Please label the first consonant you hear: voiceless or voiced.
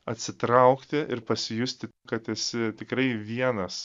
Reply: voiceless